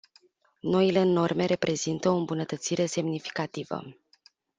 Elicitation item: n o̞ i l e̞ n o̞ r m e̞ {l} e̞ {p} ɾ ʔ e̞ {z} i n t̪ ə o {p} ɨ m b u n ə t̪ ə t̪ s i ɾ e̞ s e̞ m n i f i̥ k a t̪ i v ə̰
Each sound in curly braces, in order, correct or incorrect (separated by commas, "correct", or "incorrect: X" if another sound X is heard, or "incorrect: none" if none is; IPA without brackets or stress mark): incorrect: ɾ, correct, correct, incorrect: none